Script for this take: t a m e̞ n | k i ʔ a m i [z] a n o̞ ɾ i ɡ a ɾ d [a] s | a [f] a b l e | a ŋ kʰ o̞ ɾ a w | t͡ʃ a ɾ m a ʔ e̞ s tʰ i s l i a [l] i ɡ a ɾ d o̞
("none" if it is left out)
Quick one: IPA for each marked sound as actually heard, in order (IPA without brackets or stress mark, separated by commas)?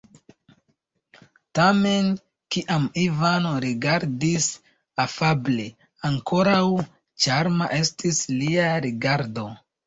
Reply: v, i, f, ɾ